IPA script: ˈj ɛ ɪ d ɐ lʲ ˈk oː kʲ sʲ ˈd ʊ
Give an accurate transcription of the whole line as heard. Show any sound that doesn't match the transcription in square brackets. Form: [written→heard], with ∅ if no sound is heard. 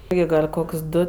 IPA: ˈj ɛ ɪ [d→ɡ] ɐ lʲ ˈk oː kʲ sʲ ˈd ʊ